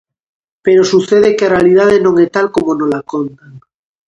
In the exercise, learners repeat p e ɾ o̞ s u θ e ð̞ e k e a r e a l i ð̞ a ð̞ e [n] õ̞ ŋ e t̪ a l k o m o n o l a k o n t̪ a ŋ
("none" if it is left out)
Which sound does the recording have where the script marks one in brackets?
n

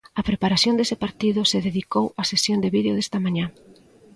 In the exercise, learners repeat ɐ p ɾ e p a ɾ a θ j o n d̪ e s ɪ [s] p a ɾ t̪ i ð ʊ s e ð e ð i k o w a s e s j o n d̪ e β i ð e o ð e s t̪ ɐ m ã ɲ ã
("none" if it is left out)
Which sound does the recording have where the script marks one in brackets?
none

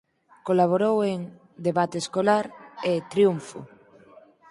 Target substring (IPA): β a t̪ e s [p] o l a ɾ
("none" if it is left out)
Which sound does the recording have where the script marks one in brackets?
k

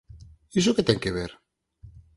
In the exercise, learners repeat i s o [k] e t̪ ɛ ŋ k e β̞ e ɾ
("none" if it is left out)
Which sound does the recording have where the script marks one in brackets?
k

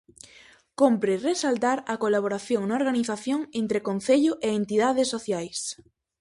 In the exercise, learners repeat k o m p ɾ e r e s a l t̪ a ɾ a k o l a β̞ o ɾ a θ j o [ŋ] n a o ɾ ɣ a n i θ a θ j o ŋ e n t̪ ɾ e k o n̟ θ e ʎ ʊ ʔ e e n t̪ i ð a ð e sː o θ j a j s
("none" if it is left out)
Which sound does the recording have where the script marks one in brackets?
ŋ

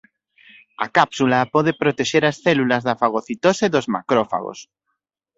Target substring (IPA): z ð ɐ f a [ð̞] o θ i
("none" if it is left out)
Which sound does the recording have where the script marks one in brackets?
ɣ̞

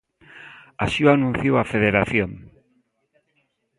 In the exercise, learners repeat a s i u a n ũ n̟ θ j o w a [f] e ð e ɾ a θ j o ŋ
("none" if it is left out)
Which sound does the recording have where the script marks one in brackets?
f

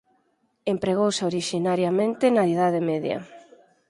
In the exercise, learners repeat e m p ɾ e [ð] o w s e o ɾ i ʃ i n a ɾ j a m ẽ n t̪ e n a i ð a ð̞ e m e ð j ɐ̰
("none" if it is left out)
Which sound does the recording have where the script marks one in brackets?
ɣ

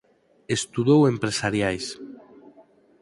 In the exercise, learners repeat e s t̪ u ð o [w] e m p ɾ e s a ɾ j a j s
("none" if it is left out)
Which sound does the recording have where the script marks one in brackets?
w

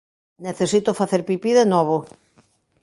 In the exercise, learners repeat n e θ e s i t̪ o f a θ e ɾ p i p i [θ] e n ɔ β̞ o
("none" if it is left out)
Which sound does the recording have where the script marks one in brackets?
ð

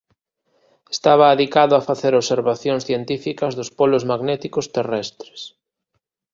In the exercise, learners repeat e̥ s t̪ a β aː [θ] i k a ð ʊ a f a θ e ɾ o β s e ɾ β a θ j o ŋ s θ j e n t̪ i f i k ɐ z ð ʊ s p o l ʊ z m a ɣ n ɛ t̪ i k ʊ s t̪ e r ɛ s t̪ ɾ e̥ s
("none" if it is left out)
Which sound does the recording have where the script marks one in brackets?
ð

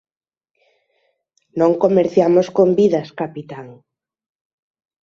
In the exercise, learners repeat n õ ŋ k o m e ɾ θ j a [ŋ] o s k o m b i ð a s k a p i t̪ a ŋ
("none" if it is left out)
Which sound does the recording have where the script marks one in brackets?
m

